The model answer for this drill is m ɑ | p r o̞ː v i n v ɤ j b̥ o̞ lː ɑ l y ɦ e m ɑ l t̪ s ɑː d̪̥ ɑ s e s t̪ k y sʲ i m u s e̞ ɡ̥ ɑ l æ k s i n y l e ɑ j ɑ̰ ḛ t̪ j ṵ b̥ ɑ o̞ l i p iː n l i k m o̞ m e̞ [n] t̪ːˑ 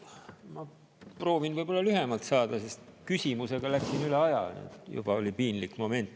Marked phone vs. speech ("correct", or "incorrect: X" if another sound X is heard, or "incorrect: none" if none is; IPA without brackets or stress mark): correct